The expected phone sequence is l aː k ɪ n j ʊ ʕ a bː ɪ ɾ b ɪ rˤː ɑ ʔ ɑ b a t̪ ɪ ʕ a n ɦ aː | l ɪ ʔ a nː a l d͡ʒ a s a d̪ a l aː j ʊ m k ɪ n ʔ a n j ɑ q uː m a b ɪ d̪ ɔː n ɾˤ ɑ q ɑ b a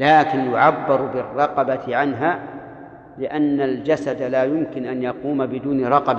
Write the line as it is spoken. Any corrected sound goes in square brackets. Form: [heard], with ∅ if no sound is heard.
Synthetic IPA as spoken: l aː k ɪ n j ʊ ʕ a bː ɪ ɾ b ɪ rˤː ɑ [q] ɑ b a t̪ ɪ ʕ a n ɦ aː | l ɪ ʔ a nː a l d͡ʒ a s a d̪ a l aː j ʊ m k ɪ n ʔ a n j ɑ q uː m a b ɪ d̪ [uː] n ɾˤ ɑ q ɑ b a